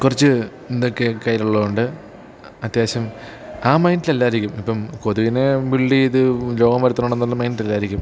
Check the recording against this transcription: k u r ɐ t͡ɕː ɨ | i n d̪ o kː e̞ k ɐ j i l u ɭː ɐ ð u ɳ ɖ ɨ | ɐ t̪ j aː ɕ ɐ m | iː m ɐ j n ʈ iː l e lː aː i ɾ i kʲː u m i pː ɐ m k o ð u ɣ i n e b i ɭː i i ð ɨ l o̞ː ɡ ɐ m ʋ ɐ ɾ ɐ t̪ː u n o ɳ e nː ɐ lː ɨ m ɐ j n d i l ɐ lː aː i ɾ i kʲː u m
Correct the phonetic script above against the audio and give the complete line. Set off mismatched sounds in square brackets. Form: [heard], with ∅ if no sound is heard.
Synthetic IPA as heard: k u r ɐ t͡ɕː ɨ | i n d̪ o kː e̞ k ɐ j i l u ɭː ɐ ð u ɳ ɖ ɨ | ɐ t̪ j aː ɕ ɐ m | [aː] m ɐ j n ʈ [i] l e lː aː i ɾ i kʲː u m i pː ɐ m k o ð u ɣ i n e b i ɭː i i ð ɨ l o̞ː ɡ ɐ m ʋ ɐ ɾ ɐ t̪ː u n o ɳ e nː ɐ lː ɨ m ɐ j n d i l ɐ lː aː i ɾ i kʲː u m

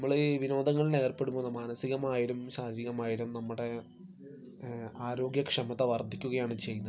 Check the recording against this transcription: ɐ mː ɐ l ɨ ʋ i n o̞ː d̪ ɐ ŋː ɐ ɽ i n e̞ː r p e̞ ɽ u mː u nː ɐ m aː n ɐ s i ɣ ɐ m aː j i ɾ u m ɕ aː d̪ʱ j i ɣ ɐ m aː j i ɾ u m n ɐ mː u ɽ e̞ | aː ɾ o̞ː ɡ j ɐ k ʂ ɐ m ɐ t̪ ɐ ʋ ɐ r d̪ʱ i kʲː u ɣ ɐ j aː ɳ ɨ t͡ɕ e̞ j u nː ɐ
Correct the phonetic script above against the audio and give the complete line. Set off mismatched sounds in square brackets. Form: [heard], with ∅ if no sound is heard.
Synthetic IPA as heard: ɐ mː ɐ [ɭ] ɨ ʋ i n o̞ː d̪ ɐ ŋː ɐ [ɭ] i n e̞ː r p e̞ ɽ u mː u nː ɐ m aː n ɐ s i ɣ ɐ m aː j i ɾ u m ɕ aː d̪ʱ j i ɣ ɐ m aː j i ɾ u m n ɐ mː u ɽ e̞ | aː ɾ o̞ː ɡ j ɐ k ʂ ɐ m ɐ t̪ ɐ ʋ ɐ r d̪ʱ i kʲː u ɣ ɐ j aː ɳ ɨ t͡ɕ e̞ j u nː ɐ

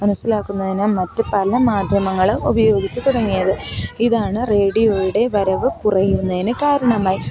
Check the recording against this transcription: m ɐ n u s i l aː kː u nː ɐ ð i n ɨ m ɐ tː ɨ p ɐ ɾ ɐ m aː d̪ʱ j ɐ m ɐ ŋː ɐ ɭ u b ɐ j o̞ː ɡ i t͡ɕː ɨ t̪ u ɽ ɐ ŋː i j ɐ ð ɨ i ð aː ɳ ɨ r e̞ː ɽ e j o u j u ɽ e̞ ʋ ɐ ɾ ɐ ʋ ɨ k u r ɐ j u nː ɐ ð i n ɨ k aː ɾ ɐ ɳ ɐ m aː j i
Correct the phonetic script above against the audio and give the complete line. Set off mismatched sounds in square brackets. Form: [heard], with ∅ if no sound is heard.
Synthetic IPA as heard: m ɐ n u s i l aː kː u nː ɐ ð i n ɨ m ɐ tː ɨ p ɐ [l] ɐ m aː d̪ʱ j ɐ m ɐ ŋː ɐ ɭ u b ɐ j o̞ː ɡ i t͡ɕː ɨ t̪ u ɽ ɐ ŋː i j ɐ ð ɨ i ð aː ɳ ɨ r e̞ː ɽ [i] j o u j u ɽ e̞ ʋ ɐ ɾ ɐ ʋ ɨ k u r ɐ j u nː ɐ ð i n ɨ k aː ɾ ɐ ɳ ɐ m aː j i

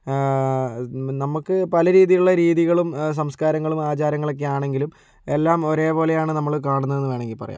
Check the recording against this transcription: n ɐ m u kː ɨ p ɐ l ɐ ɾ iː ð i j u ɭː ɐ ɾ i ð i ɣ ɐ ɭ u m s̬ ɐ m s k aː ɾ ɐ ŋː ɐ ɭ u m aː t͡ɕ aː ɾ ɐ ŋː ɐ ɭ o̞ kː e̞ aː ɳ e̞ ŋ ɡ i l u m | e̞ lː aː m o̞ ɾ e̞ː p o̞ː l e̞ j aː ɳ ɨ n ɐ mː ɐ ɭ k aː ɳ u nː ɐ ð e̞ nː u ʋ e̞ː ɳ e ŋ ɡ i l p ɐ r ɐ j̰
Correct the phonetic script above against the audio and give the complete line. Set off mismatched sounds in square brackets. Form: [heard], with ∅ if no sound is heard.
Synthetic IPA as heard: n ɐ m u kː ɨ p ɐ l ɐ ɾ iː ð i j u ɭː ɐ ɾ [iː] ð i ɣ ɐ ɭ u m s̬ ɐ m s k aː ɾ ɐ ŋː ɐ ɭ u m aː t͡ɕ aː ɾ ɐ ŋː ɐ ɭ o̞ kː e̞ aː ɳ e̞ ŋ ɡ i l u m | e̞ lː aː m o̞ ɾ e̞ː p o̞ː l e̞ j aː ɳ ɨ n ɐ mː ɐ ɭ k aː ɳ u nː ɐ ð e̞ nː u ʋ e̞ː ɳ e ŋ ɡ i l p ɐ r ɐ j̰

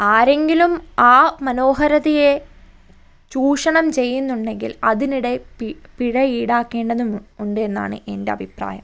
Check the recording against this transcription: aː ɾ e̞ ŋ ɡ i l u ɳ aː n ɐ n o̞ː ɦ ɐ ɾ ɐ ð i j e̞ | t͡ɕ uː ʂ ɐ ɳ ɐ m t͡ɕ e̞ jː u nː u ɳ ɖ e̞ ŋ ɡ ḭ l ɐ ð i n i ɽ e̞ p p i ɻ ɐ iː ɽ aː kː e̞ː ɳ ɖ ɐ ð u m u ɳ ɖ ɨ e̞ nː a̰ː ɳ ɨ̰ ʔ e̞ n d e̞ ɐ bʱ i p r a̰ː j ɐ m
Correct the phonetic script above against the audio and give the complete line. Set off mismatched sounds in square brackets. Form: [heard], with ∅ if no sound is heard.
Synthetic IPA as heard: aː ɾ e̞ ŋ ɡ i l u [m] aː [m] ɐ n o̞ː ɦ ɐ ɾ ɐ ð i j e̞ | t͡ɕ uː ʂ ɐ ɳ ɐ m t͡ɕ e̞ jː u nː u ɳ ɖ e̞ ŋ ɡ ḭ l ɐ ð i n i ɽ e̞ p p i ɻ ɐ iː ɽ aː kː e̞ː ɳ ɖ ɐ ð u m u ɳ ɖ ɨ e̞ nː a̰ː ɳ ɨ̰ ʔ e̞ n d e̞ ɐ bʱ i p r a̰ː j ɐ m

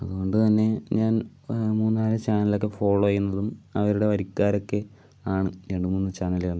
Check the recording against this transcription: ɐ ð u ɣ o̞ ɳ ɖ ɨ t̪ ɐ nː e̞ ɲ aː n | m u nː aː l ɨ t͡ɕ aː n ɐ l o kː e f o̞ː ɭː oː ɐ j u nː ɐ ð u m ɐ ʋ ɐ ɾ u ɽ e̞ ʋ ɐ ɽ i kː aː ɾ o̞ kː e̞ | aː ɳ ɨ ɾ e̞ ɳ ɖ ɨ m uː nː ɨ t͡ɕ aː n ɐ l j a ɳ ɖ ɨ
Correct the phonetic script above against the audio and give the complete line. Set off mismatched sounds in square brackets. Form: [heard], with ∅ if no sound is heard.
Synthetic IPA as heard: ɐ ð u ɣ o̞ ɳ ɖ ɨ t̪ ɐ nː e̞ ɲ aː n | m [uː] nː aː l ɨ t͡ɕ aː n ɐ l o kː e f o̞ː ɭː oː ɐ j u nː ɐ ð u m ɐ ʋ ɐ ɾ u ɽ e̞ ʋ ɐ [ɾ] i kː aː ɾ o̞ kː e̞ | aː ɳ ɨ ɾ e̞ ɳ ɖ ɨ m uː nː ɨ t͡ɕ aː n ɐ l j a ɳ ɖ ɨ

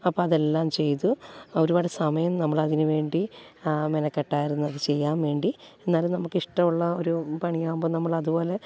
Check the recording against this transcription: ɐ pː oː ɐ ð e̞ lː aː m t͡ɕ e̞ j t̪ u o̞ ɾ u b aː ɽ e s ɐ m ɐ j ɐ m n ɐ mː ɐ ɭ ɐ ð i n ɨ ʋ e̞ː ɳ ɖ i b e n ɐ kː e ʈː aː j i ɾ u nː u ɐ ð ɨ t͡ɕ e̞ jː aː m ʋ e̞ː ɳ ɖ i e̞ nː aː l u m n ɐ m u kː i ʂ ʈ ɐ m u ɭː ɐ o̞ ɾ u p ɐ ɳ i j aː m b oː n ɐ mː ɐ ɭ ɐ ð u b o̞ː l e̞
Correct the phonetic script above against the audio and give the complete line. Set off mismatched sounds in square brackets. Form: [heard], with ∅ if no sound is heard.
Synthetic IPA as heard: ɐ pː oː ɐ ð e̞ lː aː m t͡ɕ e̞ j t̪ u o̞ ɾ u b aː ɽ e s ɐ m ɐ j ɐ m n ɐ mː ɐ ɭ ɐ ð i n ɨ ʋ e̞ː ɳ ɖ i [m] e n ɐ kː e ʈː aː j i ɾ u nː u ɐ ð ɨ t͡ɕ e̞ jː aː m ʋ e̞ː ɳ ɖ i e̞ nː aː l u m n ɐ m u kː i ʂ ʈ ɐ m u ɭː ɐ o̞ ɾ u p ɐ ɳ i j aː m b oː n ɐ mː ɐ ɭ ɐ ð u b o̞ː l e̞

